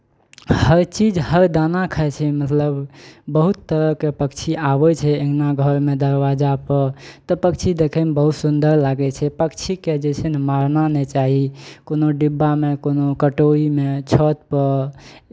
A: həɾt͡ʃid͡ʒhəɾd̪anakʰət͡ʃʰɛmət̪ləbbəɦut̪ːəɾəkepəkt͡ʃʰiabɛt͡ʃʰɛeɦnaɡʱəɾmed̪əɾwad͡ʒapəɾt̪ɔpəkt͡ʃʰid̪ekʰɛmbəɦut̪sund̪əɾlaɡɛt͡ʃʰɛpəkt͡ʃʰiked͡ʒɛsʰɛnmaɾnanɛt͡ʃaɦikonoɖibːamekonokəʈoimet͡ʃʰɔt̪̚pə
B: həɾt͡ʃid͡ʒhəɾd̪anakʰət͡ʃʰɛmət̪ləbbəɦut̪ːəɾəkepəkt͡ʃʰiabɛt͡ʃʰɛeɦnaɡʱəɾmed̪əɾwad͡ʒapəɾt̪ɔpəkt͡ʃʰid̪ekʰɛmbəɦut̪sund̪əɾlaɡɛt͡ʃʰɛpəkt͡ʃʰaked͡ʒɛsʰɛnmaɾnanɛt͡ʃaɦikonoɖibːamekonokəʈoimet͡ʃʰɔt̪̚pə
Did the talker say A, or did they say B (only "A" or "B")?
A